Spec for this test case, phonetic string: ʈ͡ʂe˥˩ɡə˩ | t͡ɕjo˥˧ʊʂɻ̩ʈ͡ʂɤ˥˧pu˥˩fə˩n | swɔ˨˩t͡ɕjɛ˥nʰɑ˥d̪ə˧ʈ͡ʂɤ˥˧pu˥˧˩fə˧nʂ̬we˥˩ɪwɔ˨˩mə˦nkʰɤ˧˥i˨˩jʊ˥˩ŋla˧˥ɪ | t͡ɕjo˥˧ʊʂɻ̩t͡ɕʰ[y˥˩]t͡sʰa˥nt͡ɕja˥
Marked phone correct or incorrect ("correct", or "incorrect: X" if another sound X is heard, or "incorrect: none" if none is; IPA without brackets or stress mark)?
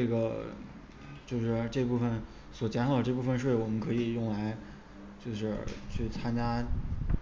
correct